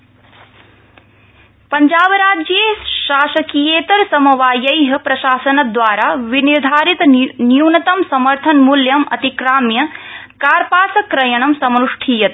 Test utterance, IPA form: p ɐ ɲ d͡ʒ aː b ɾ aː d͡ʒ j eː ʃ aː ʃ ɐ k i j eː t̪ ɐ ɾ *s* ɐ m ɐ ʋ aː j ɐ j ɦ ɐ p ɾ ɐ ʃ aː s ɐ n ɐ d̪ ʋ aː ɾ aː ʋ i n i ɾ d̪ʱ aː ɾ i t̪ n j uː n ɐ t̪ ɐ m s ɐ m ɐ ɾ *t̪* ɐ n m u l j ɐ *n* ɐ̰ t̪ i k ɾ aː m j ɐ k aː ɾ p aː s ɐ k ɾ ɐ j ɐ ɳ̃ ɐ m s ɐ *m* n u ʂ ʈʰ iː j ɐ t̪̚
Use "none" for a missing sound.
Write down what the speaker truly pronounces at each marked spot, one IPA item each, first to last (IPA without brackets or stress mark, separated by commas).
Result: s, t̪ʰ, m, m